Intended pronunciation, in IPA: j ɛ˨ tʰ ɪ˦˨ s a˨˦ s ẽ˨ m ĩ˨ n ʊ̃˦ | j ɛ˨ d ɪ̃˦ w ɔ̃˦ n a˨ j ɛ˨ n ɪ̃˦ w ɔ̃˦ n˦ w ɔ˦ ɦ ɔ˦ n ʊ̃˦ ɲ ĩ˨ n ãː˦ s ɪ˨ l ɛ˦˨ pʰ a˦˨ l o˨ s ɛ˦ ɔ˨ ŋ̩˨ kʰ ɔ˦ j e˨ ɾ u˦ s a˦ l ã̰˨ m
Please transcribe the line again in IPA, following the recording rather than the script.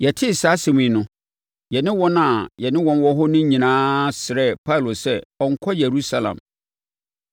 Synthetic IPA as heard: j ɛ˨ tʰ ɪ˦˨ s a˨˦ s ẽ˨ m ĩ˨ n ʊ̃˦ | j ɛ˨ n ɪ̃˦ w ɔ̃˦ n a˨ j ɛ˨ n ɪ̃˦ w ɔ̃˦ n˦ w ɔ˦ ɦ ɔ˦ n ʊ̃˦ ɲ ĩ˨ n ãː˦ s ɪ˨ ɾ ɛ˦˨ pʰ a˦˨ l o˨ s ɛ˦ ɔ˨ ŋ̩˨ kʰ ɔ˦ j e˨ ɾ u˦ s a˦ l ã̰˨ m

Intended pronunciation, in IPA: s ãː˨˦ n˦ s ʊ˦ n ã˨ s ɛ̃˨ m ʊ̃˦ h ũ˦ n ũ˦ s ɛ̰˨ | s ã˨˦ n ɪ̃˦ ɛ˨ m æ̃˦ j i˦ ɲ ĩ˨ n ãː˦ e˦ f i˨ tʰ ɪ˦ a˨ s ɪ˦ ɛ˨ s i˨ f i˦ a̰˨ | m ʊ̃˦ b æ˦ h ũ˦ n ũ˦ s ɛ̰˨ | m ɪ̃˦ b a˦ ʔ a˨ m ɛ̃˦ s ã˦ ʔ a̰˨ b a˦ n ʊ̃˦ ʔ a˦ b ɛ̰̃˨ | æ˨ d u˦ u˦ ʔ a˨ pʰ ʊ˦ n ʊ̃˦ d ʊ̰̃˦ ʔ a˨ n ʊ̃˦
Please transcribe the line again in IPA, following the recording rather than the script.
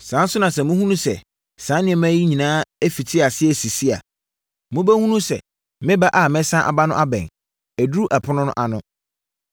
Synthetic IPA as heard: s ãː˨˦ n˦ s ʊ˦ n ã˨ s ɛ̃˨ m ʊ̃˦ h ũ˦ n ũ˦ s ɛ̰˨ | s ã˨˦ n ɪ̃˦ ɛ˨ m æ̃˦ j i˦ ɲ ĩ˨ n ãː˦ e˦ f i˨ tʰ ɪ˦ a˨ s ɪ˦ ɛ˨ s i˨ s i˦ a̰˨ | m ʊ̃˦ b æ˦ h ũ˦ n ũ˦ s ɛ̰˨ | m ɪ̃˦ b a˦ ʔ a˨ m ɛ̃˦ s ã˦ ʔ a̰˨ b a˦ n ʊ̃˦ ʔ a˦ b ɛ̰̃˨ | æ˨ d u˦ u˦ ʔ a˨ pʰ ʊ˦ n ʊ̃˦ n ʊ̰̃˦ ʔ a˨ n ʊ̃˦

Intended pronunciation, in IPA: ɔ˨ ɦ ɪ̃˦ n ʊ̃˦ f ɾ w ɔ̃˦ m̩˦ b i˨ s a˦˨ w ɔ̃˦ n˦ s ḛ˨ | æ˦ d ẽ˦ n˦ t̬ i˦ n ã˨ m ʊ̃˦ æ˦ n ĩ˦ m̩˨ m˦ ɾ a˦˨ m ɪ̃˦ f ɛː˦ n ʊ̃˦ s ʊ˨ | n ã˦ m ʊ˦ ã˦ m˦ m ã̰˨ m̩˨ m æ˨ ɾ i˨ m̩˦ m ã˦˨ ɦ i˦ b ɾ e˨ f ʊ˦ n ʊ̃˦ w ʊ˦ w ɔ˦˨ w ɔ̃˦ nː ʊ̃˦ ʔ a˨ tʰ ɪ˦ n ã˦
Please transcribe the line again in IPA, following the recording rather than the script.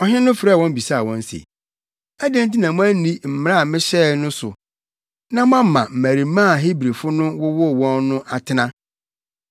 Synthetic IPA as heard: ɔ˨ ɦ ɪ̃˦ n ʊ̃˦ f ɾ w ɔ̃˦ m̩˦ b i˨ s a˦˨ w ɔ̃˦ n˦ s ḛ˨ | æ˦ d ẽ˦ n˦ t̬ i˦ n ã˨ m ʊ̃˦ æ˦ n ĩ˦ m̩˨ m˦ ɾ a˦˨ m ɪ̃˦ ɕ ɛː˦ n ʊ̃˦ s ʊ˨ | n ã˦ m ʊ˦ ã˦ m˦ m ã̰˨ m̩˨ m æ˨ ɾ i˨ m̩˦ m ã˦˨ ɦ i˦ b ɾ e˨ f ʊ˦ n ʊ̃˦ w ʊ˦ w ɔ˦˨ w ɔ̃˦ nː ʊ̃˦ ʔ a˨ tʰ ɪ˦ n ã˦

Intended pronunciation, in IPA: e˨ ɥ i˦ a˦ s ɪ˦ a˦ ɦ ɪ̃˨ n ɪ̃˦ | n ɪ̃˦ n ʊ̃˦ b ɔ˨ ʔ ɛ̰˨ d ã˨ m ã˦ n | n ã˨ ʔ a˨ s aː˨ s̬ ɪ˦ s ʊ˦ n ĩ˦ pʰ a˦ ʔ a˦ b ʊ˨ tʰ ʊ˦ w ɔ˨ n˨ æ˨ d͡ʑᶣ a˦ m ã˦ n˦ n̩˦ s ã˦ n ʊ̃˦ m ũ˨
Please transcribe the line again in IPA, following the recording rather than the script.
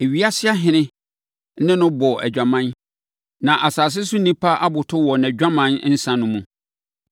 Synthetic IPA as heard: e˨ ɥ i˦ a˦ s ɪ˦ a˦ ɦ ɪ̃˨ n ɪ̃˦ | n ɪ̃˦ n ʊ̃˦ b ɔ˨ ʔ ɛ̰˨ d͡ʑᶣ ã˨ m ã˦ n | n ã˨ ʔ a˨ s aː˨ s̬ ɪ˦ s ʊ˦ n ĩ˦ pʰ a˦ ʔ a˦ b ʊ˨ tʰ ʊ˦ w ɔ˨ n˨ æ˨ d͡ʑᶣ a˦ m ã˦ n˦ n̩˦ s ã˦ n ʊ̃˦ m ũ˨

